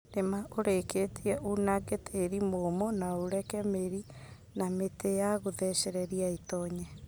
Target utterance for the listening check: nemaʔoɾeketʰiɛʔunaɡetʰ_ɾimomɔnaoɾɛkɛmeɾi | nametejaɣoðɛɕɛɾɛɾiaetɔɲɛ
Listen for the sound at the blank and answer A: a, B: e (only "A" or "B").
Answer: B